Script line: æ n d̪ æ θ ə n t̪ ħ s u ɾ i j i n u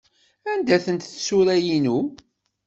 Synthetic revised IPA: æ n d̪ æ θ ə n t̪ θ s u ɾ æ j i n u